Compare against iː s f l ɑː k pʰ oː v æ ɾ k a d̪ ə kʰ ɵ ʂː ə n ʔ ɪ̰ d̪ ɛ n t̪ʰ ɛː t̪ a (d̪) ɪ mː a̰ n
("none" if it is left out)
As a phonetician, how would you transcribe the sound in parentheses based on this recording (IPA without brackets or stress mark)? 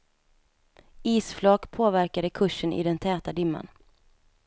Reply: d̪